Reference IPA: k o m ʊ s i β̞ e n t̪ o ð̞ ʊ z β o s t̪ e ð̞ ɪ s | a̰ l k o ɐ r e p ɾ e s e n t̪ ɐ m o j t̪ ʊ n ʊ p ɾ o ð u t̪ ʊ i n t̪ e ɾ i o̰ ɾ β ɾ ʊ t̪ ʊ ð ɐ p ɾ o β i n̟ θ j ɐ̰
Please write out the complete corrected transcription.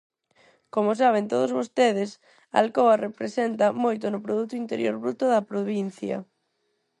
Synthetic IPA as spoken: k o m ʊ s a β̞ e n t̪ o ð̞ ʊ z β o s t̪ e ð̞ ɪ s | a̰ l k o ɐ r e p ɾ e s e n t̪ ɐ m o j t̪ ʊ n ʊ p ɾ o ð u t̪ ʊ i n t̪ e ɾ j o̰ ɾ β ɾ u t̪ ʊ ð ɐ p ɾ o β i n̟ θ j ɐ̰